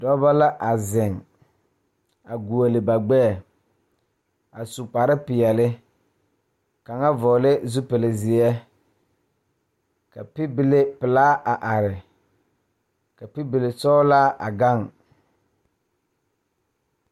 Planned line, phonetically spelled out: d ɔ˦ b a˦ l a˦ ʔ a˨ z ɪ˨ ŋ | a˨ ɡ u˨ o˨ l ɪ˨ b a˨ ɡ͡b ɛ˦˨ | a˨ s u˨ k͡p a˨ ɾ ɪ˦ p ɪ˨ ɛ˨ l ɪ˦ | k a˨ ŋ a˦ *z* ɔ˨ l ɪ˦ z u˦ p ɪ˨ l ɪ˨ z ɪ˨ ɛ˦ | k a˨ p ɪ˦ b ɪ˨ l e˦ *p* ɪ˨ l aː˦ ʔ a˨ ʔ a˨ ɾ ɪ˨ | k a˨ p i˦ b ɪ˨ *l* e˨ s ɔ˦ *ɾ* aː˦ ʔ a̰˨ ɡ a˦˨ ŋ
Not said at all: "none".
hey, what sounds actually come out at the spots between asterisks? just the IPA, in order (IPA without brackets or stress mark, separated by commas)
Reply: v, p, l, l